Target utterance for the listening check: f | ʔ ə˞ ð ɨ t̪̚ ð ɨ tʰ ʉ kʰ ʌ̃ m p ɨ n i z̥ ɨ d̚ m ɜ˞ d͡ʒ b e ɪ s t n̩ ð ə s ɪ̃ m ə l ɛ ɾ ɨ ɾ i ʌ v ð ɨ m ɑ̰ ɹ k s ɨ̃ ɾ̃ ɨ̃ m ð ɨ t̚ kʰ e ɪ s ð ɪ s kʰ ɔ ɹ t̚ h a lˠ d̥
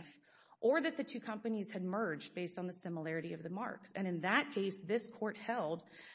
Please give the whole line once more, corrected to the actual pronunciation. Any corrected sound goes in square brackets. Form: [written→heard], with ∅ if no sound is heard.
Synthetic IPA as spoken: f | ʔ ə˞ ð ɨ t̪̚ ð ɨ tʰ ʉ kʰ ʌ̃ m p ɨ n i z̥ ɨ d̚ m ɜ˞ d͡ʒ b e ɪ s t n̩ ð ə s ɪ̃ m ə l ɛ [ɾ→ɹ] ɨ ɾ i ʌ v ð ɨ m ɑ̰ ɹ k s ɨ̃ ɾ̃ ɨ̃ [m→n] ð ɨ t̚ kʰ e ɪ s ð ɪ s kʰ ɔ ɹ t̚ h [a→ɛ] lˠ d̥